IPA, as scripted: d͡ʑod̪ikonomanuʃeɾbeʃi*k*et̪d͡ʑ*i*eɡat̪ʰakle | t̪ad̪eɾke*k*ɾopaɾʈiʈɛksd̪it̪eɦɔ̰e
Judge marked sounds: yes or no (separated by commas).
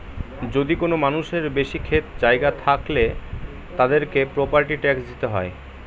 no, no, no